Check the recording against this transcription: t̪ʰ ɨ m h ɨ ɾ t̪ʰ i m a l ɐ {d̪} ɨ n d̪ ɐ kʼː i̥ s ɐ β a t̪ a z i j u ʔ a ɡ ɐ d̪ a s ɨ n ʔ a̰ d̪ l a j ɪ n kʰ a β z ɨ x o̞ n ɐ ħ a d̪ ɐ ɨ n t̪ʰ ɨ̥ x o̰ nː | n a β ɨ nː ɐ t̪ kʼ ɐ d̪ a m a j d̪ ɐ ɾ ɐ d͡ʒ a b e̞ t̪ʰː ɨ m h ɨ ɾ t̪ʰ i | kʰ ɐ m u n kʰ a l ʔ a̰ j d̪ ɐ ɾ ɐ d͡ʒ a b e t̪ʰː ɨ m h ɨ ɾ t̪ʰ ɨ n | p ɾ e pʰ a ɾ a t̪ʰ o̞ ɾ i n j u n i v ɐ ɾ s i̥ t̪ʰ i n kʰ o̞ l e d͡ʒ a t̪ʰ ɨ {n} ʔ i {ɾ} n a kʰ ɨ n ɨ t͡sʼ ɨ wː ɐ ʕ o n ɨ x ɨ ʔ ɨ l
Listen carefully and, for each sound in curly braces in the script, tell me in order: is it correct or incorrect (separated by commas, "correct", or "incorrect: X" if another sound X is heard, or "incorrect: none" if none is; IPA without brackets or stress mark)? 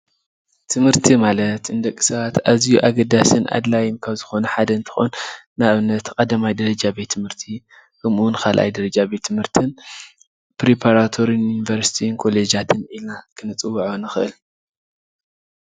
incorrect: t̪, correct, incorrect: l